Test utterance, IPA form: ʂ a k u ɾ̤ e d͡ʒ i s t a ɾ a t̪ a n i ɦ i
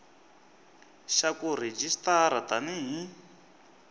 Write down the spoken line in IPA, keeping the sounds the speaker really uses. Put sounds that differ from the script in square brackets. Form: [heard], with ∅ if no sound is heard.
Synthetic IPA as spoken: [ʃ] a k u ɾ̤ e d͡ʒ i s t a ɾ a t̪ a n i ɦ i